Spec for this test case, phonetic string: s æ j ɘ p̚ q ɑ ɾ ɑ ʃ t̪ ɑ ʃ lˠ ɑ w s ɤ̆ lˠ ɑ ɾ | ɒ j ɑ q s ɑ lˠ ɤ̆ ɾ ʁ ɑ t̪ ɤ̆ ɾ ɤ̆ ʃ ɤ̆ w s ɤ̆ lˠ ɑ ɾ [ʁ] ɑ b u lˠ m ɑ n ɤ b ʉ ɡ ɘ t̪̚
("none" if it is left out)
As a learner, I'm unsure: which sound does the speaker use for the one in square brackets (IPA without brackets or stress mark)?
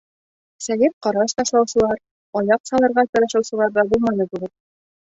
ð